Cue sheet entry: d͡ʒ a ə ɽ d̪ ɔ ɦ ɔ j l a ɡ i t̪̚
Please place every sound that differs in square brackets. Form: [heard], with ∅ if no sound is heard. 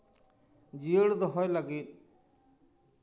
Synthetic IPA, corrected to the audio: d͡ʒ [i] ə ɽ d̪ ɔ ɦ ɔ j l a ɡ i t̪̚